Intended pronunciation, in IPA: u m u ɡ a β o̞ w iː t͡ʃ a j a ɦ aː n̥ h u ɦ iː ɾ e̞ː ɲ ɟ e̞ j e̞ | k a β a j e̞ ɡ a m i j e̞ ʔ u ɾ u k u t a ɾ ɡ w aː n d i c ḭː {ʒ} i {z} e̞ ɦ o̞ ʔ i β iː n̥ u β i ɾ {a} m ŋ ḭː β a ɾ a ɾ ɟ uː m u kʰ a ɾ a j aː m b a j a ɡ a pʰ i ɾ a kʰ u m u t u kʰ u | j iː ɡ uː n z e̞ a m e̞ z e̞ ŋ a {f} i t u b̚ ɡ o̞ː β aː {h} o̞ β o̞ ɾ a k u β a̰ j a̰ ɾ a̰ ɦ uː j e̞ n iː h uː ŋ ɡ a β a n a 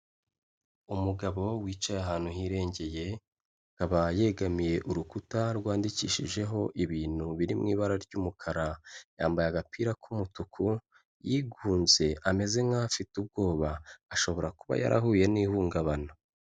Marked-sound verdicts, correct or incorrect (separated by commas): incorrect, incorrect, incorrect, correct, incorrect